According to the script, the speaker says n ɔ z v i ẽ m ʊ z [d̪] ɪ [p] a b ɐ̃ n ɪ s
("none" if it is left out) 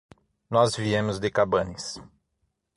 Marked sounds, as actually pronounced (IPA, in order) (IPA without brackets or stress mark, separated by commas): d̪, k